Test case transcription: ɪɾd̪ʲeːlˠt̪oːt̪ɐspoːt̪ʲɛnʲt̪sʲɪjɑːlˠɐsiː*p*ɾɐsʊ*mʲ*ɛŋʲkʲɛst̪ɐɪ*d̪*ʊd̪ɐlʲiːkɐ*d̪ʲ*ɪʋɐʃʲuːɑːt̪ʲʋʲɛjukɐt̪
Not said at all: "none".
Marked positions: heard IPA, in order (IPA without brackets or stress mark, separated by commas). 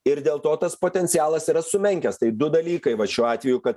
none, mʲ, d̪, none